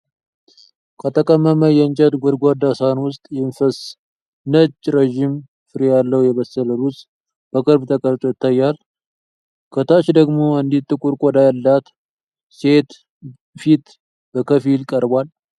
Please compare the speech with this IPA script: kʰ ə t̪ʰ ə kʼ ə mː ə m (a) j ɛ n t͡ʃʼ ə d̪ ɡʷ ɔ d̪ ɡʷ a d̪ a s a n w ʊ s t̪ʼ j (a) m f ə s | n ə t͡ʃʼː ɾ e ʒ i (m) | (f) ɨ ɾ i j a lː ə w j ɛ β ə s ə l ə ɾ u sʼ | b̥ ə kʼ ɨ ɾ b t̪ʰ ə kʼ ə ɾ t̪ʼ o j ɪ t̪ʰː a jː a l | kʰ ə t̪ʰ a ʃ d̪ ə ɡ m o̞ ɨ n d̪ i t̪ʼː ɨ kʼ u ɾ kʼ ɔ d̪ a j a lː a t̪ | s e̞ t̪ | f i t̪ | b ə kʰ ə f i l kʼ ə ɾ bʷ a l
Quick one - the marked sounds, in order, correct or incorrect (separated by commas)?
incorrect, incorrect, correct, correct